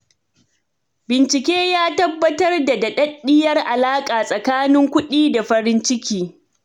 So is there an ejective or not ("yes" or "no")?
yes